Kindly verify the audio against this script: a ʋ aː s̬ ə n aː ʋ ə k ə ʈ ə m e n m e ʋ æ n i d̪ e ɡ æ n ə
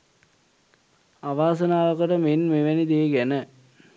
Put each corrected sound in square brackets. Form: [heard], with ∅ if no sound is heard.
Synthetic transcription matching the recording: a ʋ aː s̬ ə n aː ʋ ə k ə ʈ ə m e n m e ʋ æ n i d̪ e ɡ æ n ə